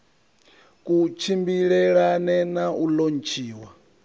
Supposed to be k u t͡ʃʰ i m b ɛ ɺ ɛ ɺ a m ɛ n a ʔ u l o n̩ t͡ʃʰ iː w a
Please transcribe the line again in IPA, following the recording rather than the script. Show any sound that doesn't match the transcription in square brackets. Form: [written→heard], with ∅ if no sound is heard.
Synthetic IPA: k u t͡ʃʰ i m b [ɛ→i] ɺ ɛ ɺ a [m→n] ɛ n a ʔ u l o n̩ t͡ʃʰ iː w a